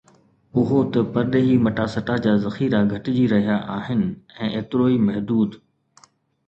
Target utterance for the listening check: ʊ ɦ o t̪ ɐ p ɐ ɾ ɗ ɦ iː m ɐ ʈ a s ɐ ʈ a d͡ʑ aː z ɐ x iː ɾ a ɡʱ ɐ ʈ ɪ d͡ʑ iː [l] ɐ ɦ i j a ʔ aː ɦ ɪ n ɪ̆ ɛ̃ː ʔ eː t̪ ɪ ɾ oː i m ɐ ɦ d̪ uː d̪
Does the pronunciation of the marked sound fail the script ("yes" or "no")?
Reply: yes